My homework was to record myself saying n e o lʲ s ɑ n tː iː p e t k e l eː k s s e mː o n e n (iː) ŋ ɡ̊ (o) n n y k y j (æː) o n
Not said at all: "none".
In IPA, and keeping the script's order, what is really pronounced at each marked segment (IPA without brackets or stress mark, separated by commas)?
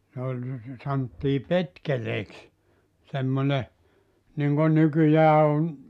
i, o, æː